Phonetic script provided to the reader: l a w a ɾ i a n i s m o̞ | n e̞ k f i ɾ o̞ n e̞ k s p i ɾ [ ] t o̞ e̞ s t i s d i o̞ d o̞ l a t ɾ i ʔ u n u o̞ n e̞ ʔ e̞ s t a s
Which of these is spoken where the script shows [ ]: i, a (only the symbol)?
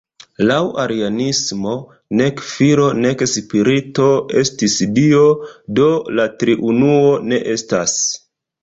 i